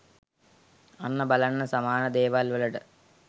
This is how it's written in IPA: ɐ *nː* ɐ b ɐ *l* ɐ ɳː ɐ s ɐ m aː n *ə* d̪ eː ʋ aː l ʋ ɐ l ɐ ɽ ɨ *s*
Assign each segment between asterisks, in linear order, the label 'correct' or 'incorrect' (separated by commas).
correct, correct, incorrect, incorrect